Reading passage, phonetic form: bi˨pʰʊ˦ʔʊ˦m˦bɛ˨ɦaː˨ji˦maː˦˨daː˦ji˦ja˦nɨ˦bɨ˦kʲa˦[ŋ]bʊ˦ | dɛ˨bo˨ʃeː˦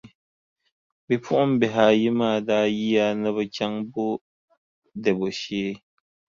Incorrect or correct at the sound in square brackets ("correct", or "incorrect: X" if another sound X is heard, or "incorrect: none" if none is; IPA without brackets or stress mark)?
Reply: correct